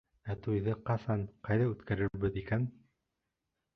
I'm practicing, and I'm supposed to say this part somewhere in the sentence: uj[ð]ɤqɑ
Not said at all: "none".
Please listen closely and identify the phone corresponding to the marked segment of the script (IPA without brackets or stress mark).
ð